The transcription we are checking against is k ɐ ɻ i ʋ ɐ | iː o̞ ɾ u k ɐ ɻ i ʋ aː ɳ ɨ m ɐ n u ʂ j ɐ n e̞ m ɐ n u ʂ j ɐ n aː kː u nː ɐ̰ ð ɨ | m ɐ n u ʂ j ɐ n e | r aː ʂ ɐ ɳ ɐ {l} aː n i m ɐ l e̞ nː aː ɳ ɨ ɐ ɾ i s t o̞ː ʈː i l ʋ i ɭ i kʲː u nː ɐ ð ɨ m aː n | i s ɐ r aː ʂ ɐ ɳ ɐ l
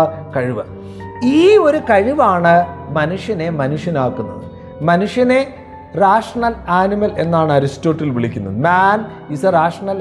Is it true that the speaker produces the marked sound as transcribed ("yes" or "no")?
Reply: yes